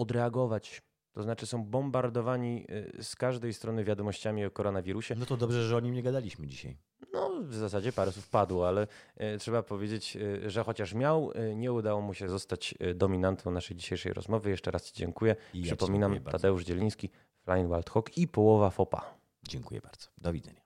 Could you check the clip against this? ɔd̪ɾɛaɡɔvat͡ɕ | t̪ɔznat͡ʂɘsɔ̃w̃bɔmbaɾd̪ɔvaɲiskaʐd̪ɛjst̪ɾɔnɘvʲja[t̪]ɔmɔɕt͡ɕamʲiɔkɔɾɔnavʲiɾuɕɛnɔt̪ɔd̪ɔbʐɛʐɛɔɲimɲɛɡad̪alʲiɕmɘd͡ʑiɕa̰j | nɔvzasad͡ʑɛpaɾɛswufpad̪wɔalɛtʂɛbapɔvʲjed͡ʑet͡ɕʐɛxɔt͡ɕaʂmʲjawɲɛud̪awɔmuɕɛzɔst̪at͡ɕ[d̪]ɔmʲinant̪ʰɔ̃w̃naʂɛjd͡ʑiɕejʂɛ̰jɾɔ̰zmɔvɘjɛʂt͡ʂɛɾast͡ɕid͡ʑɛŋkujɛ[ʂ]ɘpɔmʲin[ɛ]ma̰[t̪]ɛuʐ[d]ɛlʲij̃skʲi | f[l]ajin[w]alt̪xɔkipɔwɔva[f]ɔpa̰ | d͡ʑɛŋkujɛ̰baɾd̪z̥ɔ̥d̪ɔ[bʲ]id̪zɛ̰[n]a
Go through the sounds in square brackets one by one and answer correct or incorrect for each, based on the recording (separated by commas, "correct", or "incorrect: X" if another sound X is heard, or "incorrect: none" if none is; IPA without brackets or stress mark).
incorrect: d̪, correct, correct, incorrect: a, incorrect: d̪, incorrect: d͡ʑ, correct, correct, correct, incorrect: vʲ, incorrect: ɲ